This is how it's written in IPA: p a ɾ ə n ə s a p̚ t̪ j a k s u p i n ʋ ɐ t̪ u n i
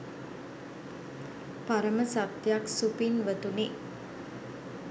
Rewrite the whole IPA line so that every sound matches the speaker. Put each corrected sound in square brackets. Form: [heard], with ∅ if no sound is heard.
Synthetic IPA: p a ɾ ə [m] ə s a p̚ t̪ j a k s u p i n ʋ [ə] t̪ u n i